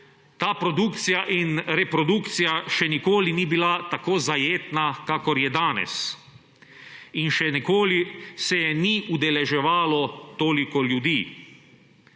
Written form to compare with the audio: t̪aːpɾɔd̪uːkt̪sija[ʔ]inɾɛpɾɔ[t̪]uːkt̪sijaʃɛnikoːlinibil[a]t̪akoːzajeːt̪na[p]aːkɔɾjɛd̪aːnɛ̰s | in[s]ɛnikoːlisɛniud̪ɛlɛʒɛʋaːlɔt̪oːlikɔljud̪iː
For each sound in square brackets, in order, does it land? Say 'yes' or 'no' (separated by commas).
yes, no, yes, no, no